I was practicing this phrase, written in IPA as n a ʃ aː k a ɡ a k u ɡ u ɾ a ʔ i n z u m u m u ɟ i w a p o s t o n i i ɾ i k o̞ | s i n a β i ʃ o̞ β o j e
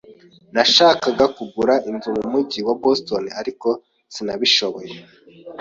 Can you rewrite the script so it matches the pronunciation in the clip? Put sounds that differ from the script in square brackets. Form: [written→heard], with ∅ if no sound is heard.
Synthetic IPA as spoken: n a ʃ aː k a ɡ a k u ɡ u ɾ a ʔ i n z u m u m u ɟ i w a [p→b] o s t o n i [i→a] ɾ i k o̞ | s i n a β i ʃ o̞ β o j e